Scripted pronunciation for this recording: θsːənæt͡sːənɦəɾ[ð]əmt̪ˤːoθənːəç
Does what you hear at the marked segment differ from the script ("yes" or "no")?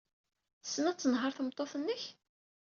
yes